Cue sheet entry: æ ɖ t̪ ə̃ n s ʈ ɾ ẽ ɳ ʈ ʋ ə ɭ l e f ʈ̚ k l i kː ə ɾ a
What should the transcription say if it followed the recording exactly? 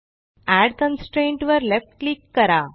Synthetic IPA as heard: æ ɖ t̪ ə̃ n s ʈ ɾ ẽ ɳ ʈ ʋ ə ɾ l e f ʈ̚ k l i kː ə ɾ a